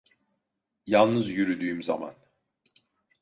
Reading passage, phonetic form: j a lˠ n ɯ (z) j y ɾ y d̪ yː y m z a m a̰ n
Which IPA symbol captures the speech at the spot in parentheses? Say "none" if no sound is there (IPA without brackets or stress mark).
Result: z